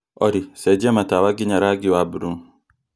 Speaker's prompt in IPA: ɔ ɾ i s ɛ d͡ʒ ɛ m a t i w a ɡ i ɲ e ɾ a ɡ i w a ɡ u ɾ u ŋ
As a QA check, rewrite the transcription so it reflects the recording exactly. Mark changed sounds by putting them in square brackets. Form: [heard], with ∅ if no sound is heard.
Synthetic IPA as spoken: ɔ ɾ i s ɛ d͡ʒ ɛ m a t [a] w a ɡ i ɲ [a] ɾ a ɡ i w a [b] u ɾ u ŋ